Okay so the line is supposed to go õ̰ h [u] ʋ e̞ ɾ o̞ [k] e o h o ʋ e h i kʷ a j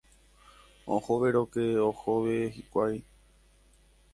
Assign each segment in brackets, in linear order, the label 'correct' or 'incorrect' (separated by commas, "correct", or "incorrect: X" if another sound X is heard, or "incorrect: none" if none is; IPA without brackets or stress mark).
incorrect: o, correct